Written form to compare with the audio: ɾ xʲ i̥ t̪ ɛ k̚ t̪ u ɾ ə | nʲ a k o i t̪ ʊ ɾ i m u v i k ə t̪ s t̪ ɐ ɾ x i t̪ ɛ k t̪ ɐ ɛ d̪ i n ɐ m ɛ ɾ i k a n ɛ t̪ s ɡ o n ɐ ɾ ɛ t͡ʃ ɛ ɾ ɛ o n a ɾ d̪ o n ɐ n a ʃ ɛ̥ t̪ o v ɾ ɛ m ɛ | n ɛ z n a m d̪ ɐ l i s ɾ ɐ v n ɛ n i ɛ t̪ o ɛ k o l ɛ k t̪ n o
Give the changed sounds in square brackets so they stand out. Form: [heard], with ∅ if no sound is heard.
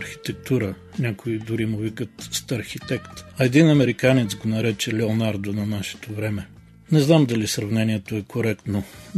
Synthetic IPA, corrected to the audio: ɾ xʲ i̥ t̪ ɛ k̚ t̪ u ɾ ə | nʲ a k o i [d̪] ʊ ɾ i m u v i k ə t̪ s t̪ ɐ ɾ x i t̪ ɛ k t̪ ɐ ɛ d̪ i n ɐ m ɛ ɾ i k a n ɛ t̪ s ɡ o n ɐ ɾ ɛ t͡ʃ ɛ [l] ɛ o n a ɾ d̪ o n ɐ n a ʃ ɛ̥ t̪ o v ɾ ɛ m ɛ | n ɛ z n a m d̪ ɐ l i s ɾ ɐ v n ɛ n i ɛ t̪ o ɛ k o [ɾ] ɛ k t̪ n o